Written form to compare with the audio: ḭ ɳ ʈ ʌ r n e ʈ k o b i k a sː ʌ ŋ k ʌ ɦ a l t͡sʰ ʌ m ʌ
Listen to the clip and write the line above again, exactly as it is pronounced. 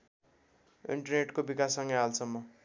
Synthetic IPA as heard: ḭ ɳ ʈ ʌ r n e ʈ k o b i k a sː ʌ ŋ ɡ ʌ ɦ a l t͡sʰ ʌ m ʌ